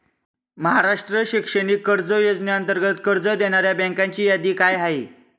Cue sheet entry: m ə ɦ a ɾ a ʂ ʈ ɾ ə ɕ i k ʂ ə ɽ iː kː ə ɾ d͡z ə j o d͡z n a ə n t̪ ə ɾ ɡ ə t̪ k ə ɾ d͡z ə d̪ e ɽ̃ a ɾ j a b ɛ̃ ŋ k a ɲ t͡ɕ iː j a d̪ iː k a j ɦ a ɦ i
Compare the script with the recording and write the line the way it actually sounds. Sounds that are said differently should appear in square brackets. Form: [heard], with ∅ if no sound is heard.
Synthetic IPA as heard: m ə ɦ a ɾ a ʂ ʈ ɾ ə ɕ i k ʂ ə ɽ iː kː ə ɾ d͡z ə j o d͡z n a ə n t̪ ə ɾ ɡ ə t̪ k ə ɾ d͡z ə d̪ e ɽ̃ a ɾ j a b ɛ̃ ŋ k a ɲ t͡ɕ iː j a d̪ iː k a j ɦ a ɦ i